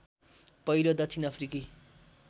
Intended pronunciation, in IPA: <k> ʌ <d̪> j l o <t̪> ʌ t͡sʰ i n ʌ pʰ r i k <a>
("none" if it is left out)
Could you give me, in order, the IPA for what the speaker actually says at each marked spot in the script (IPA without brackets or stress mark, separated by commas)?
p, none, d̪, i